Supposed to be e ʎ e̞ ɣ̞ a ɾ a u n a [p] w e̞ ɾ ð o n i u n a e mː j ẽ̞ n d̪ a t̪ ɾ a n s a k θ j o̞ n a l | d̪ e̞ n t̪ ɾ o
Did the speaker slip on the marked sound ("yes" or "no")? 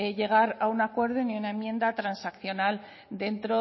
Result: yes